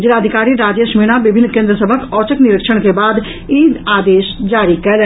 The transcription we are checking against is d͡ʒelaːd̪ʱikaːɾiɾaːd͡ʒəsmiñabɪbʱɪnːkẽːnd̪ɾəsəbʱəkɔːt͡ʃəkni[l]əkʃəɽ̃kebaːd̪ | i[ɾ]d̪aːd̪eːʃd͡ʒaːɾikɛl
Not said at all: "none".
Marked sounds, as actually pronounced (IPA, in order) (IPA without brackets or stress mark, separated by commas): ɾ, none